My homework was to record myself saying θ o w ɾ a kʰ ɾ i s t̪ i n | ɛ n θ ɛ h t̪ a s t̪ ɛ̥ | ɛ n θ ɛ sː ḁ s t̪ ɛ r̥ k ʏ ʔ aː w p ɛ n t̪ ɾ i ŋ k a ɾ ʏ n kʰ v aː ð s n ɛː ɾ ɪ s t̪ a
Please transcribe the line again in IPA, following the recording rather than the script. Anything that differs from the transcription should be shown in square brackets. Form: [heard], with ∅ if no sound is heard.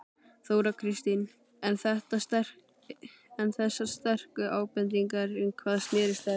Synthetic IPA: θ o w ɾ a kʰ ɾ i s t̪ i n | ɛ n θ ɛ h t̪ a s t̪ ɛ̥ | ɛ n θ ɛ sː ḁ s t̪ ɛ r̥ k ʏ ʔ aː w p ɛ n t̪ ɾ i ŋ k a ɾ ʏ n kʰ v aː ð s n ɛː ɾ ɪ s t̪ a